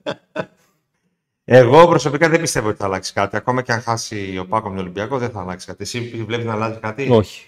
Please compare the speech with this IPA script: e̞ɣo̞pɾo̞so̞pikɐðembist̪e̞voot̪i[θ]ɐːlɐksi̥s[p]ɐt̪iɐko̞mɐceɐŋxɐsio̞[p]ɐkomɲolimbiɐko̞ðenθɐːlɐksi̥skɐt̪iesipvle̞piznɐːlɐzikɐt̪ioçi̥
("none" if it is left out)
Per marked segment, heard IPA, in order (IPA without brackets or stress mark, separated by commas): θ, k, p